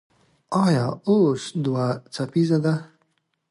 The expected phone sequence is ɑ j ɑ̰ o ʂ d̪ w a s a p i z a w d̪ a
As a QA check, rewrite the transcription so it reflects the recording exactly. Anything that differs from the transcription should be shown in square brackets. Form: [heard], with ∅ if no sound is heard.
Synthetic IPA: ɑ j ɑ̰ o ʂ d̪ w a [t͡s] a p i z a [∅] d̪ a